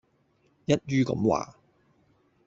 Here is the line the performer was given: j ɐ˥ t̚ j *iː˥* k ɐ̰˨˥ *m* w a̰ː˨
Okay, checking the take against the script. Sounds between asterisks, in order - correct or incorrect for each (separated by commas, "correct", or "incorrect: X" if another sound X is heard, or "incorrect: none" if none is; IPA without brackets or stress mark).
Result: incorrect: yː˥, correct